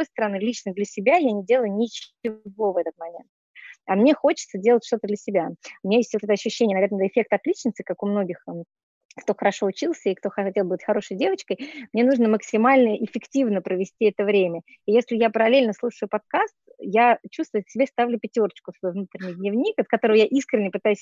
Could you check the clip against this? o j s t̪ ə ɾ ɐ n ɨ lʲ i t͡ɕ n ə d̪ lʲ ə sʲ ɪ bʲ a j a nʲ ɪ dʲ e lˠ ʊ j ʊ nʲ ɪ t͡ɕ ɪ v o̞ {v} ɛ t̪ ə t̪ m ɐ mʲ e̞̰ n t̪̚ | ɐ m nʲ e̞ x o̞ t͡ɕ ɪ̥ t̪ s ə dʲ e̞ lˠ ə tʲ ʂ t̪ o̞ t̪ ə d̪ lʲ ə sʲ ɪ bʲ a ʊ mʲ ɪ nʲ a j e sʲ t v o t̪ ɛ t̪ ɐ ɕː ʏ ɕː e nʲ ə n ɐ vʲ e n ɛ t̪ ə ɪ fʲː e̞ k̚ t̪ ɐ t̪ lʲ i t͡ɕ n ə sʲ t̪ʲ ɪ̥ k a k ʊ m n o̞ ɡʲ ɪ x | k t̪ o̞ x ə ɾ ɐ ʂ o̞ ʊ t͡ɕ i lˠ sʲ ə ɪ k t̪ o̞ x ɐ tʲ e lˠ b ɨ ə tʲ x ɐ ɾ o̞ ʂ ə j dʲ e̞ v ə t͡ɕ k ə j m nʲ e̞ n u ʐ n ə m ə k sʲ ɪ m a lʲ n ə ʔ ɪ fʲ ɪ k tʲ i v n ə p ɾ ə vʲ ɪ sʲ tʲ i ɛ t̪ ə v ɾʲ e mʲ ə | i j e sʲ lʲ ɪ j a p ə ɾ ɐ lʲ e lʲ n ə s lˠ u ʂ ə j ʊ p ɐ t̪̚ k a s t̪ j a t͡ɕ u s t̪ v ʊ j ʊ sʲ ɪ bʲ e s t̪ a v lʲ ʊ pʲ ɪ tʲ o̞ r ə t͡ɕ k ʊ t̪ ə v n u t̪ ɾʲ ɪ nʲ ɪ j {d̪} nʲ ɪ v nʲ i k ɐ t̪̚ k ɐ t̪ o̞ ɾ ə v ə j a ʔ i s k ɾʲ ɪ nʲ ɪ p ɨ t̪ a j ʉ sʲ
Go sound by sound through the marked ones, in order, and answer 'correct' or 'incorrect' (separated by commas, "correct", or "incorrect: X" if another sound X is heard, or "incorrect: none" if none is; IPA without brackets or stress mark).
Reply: correct, correct